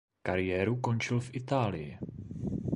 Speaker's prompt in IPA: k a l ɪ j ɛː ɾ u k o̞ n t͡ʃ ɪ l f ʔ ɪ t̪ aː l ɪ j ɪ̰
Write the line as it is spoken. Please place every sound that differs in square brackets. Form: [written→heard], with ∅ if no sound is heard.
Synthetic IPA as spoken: k a [l→ɾ] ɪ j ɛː ɾ u k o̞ n t͡ʃ ɪ l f ʔ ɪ t̪ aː l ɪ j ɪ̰